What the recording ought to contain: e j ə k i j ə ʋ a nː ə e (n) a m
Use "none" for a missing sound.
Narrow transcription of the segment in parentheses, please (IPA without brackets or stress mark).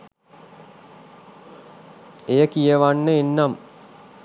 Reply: nː